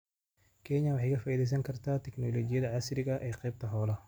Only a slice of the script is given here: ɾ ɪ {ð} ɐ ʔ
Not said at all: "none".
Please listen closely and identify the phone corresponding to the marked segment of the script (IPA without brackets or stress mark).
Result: ɣ